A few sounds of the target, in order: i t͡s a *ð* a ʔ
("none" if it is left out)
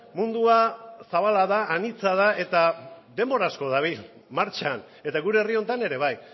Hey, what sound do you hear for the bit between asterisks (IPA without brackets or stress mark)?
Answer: ð